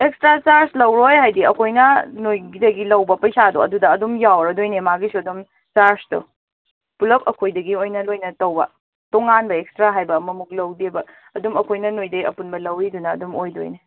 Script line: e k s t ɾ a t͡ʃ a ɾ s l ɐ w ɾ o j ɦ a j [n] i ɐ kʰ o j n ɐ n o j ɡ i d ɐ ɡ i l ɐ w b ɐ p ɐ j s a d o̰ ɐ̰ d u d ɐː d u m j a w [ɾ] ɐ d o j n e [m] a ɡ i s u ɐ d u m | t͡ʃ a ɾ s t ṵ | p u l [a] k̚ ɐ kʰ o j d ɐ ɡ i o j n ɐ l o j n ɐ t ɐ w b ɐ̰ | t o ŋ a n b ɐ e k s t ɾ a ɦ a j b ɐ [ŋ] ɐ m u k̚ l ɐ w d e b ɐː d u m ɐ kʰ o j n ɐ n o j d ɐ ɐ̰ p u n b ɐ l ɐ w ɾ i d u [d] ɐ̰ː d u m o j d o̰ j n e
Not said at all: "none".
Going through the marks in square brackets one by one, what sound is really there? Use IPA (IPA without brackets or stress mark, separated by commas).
d, ɾ, m, ɐ, m, n